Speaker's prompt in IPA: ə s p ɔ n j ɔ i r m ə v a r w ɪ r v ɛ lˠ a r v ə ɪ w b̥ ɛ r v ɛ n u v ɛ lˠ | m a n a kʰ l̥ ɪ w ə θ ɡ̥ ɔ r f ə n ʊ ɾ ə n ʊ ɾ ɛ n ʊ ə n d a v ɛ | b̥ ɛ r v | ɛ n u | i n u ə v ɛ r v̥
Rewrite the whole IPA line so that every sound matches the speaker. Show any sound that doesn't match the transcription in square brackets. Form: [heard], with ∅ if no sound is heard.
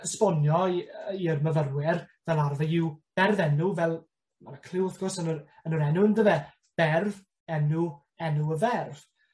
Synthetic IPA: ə s p ɔ n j ɔ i r m ə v [ə] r w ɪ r v ɛ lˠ a r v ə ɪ w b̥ ɛ r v ɛ n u v ɛ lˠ | m a n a kʰ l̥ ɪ w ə θ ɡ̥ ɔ r [s] ə n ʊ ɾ ə n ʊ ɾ ɛ n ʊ ə n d [ə] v ɛ | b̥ ɛ r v | ɛ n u | [ɛ] n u ə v ɛ r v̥